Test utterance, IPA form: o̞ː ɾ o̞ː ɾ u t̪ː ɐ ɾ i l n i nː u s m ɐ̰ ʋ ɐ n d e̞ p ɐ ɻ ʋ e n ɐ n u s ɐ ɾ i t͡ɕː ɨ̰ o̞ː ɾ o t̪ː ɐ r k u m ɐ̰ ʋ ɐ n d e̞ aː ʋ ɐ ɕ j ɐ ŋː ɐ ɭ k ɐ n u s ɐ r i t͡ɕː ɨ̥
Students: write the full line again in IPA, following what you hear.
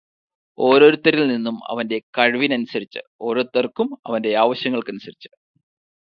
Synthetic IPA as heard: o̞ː ɾ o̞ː ɾ u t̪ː ɐ ɾ i l n i nː u m ɐ̰ ʋ ɐ n d e̞ k ɐ ɻ ʋ i n ɐ n u s ɐ ɾ i t͡ɕː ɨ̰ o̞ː ɾ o t̪ː ɐ r k u m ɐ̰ ʋ ɐ n d e̞ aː ʋ ɐ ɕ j ɐ ŋː ɐ ɭ k ɐ n u s ɐ ɾ i t͡ɕː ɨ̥